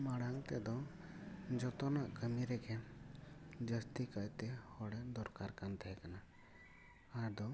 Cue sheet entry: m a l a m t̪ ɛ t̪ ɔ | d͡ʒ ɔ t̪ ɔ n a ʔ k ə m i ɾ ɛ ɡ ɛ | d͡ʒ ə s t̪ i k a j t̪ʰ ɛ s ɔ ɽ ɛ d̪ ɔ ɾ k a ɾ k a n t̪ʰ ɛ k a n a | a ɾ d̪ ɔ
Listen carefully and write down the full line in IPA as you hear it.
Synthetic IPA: m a ɽ a ŋ t̪ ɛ d̪ ɔ | d͡ʒ ɔ t̪ ɔ n a ʔ k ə m i ɾ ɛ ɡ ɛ | d͡ʒ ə s t̪ i k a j t̪ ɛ h ɔ ɽ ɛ d̪ ɔ ɾ k a ɾ k a n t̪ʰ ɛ k a n a | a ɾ d̪ ɔ